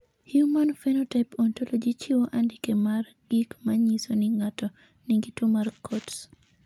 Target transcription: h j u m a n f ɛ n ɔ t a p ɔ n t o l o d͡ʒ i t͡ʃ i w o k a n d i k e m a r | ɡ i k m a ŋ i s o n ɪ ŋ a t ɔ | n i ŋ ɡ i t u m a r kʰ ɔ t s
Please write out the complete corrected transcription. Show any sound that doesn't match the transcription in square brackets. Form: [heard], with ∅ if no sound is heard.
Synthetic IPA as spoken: h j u m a n f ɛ n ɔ t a p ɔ n t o l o d͡ʒ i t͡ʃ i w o [ʔ] a n d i k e m a r | ɡ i k m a [ɲ] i s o n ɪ ŋ a t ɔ | n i ŋ ɡ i t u m a r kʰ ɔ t s